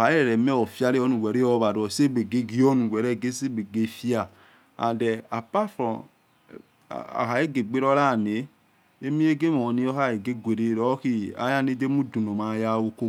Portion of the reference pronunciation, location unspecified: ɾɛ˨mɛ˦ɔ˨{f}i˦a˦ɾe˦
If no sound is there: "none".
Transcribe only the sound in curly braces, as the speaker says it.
f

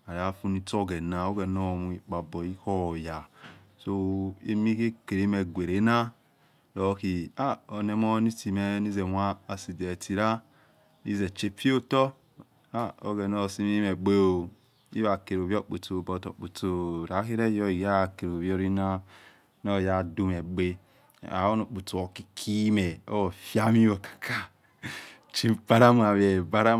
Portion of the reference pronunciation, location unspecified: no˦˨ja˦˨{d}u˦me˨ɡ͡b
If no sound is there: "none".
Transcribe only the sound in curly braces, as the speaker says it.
d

